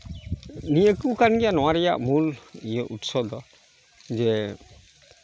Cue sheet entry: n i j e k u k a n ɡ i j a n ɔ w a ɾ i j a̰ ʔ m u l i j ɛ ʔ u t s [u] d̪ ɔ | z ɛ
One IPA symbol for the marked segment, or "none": ɔ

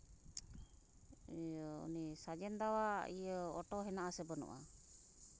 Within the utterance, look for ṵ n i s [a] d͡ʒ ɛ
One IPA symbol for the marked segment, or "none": a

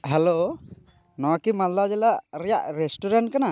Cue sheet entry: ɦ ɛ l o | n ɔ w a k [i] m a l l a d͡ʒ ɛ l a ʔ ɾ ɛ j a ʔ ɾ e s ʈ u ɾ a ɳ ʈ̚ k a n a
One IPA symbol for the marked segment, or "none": i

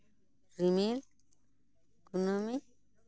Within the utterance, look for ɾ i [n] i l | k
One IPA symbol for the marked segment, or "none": m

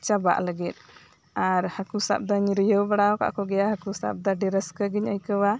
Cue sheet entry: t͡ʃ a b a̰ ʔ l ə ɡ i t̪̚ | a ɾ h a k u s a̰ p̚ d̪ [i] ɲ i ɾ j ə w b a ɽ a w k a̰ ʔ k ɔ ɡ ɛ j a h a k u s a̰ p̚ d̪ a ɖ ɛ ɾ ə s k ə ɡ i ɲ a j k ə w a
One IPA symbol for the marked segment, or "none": a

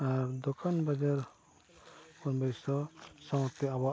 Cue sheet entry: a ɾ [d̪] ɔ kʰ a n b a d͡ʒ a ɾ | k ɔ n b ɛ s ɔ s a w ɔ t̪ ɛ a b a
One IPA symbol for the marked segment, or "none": d̪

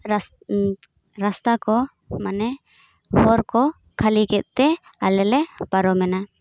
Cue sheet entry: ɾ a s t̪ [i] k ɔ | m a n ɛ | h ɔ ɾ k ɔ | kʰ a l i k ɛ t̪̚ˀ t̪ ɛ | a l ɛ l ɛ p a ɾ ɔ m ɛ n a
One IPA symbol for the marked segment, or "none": a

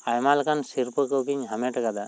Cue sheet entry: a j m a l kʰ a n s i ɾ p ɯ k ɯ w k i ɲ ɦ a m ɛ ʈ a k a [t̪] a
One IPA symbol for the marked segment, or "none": d̪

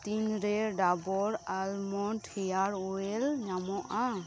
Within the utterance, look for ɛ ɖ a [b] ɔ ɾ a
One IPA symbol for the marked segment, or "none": b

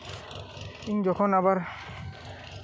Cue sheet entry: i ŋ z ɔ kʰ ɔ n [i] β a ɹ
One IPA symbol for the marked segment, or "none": a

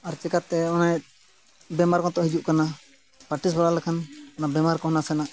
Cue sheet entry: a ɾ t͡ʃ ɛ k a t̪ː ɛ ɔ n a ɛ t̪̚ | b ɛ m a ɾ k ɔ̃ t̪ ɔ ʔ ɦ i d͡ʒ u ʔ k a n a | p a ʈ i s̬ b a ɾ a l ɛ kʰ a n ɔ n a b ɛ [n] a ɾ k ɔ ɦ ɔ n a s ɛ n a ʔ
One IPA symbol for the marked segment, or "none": m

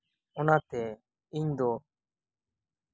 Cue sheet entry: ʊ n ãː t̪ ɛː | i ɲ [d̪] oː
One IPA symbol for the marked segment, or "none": d̪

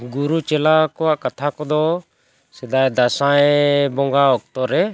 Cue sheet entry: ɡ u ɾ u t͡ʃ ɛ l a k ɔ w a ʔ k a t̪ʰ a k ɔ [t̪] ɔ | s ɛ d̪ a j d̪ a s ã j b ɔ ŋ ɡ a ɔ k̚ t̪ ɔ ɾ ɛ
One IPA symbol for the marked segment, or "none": d̪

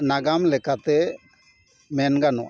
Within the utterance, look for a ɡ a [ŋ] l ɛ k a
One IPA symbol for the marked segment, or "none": m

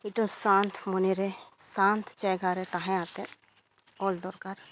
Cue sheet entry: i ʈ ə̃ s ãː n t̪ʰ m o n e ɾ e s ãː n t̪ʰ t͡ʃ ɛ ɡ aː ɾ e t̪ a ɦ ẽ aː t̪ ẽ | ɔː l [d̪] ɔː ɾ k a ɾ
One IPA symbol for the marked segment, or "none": d̪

